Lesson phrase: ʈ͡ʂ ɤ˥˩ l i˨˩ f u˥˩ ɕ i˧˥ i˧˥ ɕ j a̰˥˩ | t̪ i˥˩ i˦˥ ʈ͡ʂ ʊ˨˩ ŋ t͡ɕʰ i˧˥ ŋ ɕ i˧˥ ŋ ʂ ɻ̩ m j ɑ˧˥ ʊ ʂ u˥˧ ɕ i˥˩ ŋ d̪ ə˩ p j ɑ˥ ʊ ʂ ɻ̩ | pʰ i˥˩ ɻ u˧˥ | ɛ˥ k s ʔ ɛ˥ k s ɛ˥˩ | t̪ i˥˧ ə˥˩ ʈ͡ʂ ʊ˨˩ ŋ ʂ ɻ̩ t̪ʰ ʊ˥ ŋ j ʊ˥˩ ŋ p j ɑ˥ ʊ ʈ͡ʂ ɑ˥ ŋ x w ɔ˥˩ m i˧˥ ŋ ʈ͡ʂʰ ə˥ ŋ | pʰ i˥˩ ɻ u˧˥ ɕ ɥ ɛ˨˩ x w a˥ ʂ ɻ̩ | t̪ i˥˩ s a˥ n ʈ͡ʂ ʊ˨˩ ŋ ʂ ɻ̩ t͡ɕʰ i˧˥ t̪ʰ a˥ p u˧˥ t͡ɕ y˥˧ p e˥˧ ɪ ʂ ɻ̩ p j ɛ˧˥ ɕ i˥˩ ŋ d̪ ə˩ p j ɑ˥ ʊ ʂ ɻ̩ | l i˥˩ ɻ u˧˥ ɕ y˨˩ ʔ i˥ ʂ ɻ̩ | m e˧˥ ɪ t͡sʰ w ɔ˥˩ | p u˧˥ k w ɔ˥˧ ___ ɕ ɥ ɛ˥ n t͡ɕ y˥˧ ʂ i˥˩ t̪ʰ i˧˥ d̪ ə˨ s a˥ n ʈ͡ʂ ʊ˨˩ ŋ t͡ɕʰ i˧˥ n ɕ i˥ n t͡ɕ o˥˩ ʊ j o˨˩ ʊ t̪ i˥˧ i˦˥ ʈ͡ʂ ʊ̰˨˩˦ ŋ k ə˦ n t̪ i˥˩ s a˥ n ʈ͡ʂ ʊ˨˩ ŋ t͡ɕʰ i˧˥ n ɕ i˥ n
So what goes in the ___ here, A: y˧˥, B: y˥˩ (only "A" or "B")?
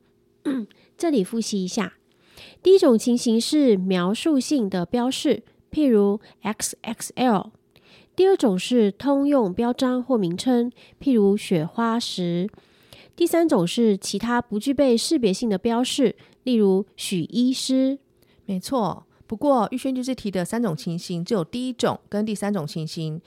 B